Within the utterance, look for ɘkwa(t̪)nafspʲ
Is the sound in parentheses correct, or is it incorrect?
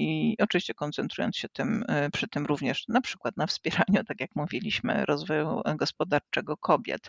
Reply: correct